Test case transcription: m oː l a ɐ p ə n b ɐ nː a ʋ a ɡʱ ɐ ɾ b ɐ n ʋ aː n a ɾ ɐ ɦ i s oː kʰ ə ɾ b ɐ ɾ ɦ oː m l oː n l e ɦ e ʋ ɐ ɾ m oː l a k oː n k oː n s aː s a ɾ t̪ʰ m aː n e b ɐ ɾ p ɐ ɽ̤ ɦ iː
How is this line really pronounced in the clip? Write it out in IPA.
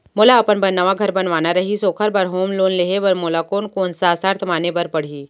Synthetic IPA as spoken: m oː l a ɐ p ə n b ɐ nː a ʋ a ɡʱ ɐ ɾ b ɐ n ʋ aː n a ɾ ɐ ɦ i s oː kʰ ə ɾ b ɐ ɾ ɦ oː m l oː n l e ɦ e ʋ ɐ ɾ m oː l a k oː n k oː n s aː s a ɾ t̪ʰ m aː n e b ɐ ɾ p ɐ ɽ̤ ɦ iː